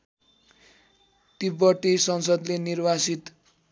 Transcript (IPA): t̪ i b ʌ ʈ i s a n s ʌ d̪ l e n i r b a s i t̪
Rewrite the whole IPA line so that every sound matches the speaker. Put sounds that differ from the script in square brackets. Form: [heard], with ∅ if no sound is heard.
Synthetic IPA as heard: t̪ i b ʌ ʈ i s [ʌ] n s ʌ d̪ l e n i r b a s i t̪